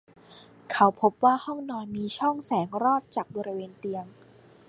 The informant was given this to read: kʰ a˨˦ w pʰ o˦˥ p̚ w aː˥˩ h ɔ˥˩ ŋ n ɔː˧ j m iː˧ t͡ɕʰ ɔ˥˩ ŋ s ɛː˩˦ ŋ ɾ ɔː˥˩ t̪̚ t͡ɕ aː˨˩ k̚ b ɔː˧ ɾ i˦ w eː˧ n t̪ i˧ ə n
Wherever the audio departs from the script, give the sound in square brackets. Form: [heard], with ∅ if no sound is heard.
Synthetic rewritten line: kʰ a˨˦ w pʰ o˦˥ p̚ w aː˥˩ h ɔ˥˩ ŋ n ɔː˧ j m iː˧ t͡ɕʰ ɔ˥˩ ŋ s ɛː˩˦ ŋ ɾ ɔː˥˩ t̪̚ t͡ɕ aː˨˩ k̚ b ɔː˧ ɾ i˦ w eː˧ n t̪ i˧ ə [ŋ]